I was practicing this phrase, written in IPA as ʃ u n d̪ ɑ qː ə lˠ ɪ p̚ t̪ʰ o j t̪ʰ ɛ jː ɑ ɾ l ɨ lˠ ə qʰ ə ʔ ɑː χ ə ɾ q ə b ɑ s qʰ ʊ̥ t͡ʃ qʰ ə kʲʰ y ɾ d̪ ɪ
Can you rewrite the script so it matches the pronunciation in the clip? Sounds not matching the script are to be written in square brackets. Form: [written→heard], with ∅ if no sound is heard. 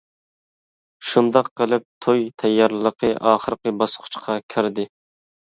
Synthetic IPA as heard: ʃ u n d̪ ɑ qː ə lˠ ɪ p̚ t̪ʰ o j t̪ʰ ɛ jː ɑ ɾ l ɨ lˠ ə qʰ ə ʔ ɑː χ ə ɾ q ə b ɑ s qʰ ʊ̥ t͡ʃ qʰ [ə→ɑ] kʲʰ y ɾ d̪ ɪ

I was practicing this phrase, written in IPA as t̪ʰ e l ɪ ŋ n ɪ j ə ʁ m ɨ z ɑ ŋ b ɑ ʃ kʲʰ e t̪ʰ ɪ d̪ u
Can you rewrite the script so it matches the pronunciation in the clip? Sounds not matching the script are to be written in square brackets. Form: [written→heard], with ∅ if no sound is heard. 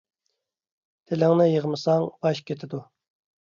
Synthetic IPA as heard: t̪ʰ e l ɪ ŋ n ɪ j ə ʁ m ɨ [z→s] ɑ ŋ b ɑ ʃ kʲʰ e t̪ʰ ɪ d̪ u

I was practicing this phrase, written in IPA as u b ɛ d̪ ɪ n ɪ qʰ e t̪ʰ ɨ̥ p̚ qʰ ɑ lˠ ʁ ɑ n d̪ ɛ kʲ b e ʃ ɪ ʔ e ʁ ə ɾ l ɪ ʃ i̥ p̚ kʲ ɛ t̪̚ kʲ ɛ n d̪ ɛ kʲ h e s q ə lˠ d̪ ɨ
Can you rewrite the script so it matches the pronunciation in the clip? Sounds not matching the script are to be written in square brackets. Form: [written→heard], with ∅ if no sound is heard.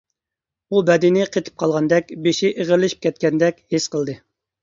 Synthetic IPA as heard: u b ɛ d̪ ɪ n ɪ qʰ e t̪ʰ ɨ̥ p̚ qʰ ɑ lˠ ʁ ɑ n d̪ ɛ kʲ b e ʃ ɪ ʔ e ʁ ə ɾ l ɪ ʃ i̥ p̚ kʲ ɛ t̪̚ kʲ ɛ n d̪ ɛ kʲ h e s q ə lˠ d̪ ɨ

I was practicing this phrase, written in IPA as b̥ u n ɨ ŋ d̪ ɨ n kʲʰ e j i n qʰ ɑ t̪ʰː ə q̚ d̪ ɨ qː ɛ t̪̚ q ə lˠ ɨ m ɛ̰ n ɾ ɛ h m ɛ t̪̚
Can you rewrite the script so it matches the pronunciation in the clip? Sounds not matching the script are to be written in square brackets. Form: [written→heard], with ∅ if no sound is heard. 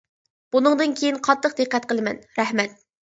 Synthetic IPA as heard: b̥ u n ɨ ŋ d̪ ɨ n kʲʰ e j i n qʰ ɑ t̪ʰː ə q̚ d̪ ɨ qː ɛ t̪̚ q ə lˠ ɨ m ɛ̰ n ɾ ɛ h m ɛ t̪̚

